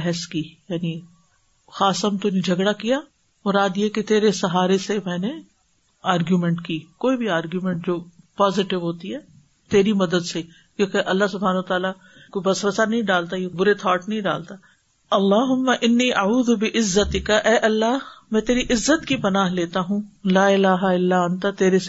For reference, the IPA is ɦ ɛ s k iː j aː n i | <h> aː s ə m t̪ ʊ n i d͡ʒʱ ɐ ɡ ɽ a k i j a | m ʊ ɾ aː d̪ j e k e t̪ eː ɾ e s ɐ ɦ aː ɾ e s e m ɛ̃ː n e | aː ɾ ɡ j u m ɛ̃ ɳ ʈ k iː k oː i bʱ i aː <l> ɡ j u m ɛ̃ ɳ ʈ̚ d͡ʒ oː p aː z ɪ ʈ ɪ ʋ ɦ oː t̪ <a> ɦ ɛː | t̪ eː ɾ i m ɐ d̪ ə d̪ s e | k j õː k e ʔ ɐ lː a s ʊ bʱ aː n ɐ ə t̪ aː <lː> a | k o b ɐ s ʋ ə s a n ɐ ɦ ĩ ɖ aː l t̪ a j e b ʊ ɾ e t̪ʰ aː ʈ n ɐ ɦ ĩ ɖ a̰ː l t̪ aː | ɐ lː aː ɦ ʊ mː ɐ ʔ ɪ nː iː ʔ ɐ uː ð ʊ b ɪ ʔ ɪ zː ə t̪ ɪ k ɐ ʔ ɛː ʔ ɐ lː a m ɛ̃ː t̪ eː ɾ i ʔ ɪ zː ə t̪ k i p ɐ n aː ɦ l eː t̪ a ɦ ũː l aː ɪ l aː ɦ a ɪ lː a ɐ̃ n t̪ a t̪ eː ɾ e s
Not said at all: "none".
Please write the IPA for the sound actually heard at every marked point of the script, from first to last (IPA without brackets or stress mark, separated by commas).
x, ɾ, i, l